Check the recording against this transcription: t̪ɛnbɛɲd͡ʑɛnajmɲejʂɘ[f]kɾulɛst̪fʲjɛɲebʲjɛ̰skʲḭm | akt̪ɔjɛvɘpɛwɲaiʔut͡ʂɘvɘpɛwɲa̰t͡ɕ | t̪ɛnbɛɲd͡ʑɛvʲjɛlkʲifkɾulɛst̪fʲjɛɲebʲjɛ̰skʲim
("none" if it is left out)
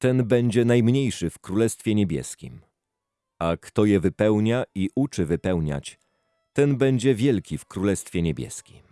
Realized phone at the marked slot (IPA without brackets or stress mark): f